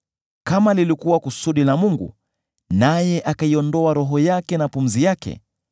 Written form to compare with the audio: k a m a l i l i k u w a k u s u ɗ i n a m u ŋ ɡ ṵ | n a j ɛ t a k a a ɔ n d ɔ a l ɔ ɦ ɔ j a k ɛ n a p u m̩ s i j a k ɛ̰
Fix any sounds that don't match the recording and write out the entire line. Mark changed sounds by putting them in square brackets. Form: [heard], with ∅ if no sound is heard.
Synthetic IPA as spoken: k a m a l i l i k u w a k u s u ɗ i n a m u ŋ ɡ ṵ | n a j ɛ [ʔ] a k a [i] ɔ n d ɔ a [ɾ] ɔ ɦ ɔ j a k ɛ n a p u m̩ [z] i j a k ɛ̰